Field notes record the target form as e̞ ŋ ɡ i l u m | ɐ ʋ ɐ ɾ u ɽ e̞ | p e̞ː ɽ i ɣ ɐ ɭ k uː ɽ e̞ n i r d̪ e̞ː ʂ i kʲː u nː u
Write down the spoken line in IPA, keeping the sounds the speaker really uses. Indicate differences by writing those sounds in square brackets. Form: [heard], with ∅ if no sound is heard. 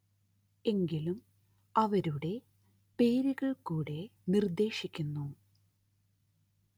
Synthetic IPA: e̞ ŋ ɡ i l u m | ɐ ʋ ɐ ɾ u ɽ e̞ | p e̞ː [ɾ] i ɣ ɐ ɭ k uː ɽ e̞ n i r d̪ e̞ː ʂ i kʲː u nː u